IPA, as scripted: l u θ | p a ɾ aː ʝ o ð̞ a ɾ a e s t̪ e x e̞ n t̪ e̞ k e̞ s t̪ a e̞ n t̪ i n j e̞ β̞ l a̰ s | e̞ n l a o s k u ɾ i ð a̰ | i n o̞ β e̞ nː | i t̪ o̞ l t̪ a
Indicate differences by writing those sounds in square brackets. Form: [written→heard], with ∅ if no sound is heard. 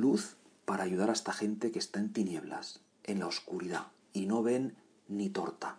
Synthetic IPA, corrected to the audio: l u θ | p a ɾ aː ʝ [o→u] ð̞ a ɾ a e s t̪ [e→a] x e̞ n t̪ e̞ k e̞ s t̪ a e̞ n t̪ i n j e̞ β̞ l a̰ s | e̞ n l a o s k u ɾ i ð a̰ | i n o̞ β e̞ nː | i t̪ o̞ [l→ɾ] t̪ a